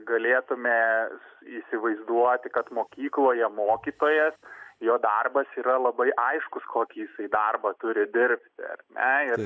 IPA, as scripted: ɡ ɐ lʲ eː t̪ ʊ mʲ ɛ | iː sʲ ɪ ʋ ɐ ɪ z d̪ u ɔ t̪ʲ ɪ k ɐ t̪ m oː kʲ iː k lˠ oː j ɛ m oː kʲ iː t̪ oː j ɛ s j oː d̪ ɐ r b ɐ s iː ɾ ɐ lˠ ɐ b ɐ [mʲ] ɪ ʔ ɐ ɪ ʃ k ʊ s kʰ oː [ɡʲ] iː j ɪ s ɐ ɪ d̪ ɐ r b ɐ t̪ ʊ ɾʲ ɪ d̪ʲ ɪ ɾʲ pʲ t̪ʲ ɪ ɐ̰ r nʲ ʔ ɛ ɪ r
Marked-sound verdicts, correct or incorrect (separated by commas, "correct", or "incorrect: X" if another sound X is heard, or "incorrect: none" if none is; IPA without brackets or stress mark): incorrect: none, incorrect: kʲ